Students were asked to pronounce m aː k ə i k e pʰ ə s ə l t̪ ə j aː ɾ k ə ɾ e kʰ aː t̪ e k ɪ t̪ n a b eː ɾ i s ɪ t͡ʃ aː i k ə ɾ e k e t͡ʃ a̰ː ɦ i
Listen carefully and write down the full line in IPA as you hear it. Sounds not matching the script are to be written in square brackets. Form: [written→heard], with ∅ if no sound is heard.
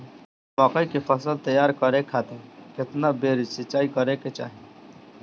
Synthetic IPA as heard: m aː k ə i k e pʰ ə s ə l t̪ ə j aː ɾ k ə ɾ e kʰ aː t̪ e k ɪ t̪ n a b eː ɾ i s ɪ t͡ʃ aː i k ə ɾ e k e t͡ʃ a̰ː ɦ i